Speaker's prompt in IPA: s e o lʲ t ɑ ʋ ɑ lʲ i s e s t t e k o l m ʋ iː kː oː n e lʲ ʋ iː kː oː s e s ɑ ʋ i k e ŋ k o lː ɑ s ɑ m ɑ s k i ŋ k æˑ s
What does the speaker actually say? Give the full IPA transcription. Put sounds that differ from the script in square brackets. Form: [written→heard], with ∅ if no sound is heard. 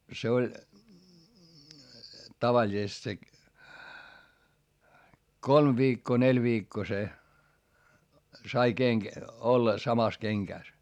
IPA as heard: s e o lʲ t ɑ ʋ ɑ lʲ i s e s t [t→s] e k o l m ʋ iː kː oː n e lʲ ʋ iː kː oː s e s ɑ [ʋ→∅] i k e ŋ k o lː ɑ s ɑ m ɑ s k [i→e] ŋ k æˑ s